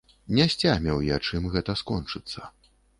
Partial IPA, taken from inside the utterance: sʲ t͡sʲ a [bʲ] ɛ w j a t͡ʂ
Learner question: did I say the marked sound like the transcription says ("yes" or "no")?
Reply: no